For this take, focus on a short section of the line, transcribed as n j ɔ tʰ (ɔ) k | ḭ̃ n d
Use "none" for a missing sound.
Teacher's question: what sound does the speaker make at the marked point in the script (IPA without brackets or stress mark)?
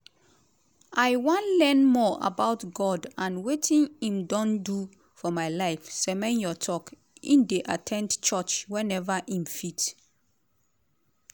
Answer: ɔ